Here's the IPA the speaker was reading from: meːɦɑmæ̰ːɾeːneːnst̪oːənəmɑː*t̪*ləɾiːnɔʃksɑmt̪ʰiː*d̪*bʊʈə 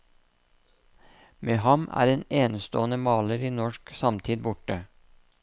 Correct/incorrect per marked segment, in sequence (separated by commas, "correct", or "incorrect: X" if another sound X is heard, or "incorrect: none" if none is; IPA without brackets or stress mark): incorrect: none, correct